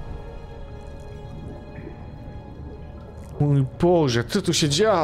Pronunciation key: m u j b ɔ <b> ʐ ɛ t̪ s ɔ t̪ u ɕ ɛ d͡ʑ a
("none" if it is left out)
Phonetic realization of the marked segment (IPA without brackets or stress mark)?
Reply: none